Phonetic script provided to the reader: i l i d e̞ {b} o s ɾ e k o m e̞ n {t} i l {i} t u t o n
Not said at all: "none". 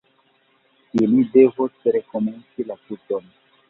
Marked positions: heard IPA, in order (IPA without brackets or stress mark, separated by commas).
v, t͡s, a